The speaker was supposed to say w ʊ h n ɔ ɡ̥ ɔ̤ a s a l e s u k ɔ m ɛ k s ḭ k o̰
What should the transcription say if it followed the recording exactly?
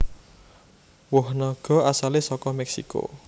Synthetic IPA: w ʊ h n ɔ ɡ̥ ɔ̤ a s a l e s ɔ k ɔ m ɛ k s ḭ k o̰